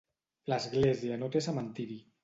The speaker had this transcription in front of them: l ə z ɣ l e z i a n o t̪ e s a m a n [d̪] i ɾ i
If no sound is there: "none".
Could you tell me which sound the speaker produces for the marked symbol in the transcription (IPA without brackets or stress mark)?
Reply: t̪